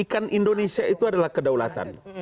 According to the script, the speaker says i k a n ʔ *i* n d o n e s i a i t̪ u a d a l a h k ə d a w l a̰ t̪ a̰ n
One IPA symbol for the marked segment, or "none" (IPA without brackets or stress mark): i